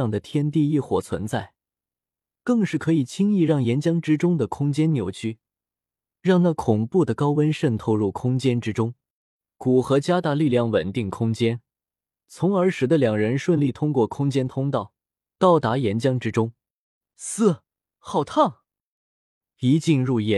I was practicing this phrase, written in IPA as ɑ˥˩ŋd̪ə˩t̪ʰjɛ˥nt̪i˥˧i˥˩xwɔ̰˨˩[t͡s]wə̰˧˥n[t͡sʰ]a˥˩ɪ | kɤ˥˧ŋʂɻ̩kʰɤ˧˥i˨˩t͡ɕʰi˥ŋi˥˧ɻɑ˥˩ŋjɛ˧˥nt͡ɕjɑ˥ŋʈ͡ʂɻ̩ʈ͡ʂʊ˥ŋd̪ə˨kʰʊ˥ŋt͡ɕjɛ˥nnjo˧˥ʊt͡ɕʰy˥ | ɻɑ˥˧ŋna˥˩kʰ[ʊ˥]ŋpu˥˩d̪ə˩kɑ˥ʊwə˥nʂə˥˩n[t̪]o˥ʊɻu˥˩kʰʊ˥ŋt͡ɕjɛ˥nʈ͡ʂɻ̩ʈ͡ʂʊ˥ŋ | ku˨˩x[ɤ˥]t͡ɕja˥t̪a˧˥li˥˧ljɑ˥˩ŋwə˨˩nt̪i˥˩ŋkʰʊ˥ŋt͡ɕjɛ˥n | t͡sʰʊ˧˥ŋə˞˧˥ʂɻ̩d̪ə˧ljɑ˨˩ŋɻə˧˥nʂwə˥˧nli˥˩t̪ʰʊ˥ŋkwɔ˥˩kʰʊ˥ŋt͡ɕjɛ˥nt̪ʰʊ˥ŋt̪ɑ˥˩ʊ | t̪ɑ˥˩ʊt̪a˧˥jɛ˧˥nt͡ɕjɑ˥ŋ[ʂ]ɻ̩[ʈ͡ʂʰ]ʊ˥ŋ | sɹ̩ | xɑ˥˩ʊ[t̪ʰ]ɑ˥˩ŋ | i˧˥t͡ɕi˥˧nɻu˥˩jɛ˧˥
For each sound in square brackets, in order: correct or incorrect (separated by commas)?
incorrect, incorrect, incorrect, incorrect, incorrect, incorrect, incorrect, correct